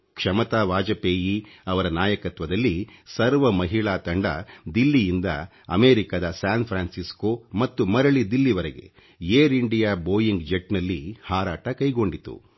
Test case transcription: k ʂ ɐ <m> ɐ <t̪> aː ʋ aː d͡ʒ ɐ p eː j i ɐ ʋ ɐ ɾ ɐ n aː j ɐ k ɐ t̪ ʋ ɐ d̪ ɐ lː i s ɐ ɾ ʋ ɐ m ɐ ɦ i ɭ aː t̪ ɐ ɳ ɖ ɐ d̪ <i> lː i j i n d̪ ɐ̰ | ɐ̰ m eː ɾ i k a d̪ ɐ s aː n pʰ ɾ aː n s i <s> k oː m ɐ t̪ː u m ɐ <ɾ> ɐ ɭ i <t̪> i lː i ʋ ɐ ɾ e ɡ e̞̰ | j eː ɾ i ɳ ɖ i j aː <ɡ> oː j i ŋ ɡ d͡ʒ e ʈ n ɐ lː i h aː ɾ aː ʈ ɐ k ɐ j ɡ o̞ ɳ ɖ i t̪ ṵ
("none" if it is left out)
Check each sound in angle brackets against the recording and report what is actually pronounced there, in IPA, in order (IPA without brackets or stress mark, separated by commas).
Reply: m, t̪, i, s, ɾ, d̪, b